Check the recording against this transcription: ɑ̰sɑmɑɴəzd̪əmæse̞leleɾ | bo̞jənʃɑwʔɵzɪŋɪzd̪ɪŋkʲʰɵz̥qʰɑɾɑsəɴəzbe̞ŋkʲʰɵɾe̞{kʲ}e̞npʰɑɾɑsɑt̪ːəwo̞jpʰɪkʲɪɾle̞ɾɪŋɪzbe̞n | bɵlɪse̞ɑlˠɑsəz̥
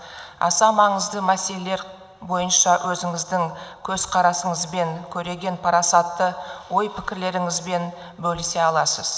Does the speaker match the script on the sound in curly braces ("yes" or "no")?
no